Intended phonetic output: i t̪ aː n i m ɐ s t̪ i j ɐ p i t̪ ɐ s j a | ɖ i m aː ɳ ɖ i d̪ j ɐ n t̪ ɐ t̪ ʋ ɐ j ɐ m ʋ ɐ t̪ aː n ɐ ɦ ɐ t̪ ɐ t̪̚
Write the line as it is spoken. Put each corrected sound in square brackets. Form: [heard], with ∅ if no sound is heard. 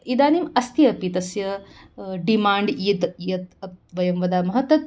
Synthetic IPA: i [d̪] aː n i m ɐ s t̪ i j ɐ p i t̪ ɐ s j [ɐ] | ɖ i m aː ɳ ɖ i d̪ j ɐ [∅] t̪ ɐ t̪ ʋ ɐ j ɐ m ʋ ɐ [d̪] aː [m] ɐ ɦ ɐ t̪ ɐ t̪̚